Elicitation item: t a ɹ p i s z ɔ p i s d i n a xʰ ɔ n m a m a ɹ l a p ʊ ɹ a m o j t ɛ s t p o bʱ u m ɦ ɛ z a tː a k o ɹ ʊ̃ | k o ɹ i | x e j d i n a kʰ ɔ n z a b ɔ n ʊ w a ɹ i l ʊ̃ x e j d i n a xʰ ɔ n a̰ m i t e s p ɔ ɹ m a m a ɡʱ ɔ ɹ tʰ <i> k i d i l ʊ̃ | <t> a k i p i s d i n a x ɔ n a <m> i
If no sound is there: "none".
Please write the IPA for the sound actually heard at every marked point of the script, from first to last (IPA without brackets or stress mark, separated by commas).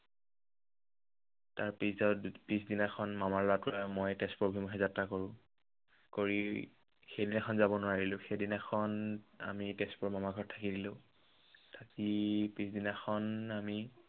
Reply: a, tʰ, m